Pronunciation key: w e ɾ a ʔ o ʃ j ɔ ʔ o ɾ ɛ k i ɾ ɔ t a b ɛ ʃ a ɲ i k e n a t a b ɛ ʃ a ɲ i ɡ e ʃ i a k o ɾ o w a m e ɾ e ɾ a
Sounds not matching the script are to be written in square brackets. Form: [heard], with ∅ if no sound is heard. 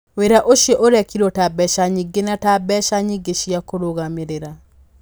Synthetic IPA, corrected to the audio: w e ɾ a ʔ o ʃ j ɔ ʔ o ɾ ɛ k i ɾ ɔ t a b ɛ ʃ a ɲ i [ɡ] e n a t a b ɛ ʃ a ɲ i ɡ e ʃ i a k o ɾ o [ɣ] a m e ɾ e ɾ a